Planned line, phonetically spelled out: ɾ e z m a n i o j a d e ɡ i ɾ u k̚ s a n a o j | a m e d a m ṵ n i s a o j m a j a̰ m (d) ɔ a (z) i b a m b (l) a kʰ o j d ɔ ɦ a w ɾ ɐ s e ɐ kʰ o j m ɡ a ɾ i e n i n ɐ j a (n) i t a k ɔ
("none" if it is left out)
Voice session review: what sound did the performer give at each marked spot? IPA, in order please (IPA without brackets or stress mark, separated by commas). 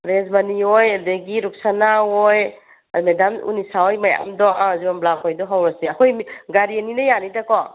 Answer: d, z, l, n